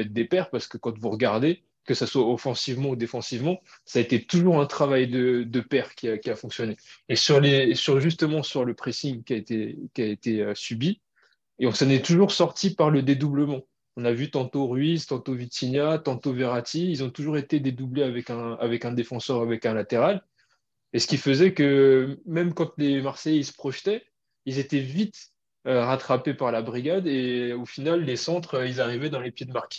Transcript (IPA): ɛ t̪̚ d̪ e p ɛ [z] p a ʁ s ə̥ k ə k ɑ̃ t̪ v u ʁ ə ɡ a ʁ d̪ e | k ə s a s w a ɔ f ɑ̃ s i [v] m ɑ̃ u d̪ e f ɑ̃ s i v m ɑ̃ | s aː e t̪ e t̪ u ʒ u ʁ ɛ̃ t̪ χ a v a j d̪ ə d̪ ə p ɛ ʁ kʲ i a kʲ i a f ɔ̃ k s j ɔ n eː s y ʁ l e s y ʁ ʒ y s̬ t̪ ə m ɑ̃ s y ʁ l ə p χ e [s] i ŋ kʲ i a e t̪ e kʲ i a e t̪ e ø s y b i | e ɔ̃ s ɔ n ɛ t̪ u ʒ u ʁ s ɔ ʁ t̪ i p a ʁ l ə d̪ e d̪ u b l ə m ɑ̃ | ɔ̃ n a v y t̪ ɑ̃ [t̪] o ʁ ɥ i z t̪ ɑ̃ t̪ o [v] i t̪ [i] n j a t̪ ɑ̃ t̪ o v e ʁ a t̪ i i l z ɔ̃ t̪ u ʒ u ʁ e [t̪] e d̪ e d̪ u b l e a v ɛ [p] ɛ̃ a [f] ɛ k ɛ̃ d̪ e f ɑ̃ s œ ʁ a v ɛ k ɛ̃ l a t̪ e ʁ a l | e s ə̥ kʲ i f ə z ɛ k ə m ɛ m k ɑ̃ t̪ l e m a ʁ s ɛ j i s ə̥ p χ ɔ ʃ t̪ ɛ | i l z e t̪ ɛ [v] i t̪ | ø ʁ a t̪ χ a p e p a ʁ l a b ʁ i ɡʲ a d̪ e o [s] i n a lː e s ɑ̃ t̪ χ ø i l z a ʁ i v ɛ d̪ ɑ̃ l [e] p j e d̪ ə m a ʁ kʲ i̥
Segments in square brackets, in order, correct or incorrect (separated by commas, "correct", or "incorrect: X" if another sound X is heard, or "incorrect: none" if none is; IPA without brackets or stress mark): incorrect: ʁ, correct, correct, correct, correct, correct, correct, incorrect: k, incorrect: v, correct, incorrect: f, correct